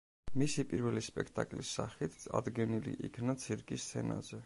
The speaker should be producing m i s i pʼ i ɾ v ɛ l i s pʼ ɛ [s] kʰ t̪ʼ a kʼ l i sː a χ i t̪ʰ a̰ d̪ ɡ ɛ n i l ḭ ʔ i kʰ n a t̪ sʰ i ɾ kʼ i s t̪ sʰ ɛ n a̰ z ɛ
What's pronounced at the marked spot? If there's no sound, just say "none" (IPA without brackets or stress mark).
none